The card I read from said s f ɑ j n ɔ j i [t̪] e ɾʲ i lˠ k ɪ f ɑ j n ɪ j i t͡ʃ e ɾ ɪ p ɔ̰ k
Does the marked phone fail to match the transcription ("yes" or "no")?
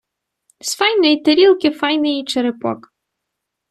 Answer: no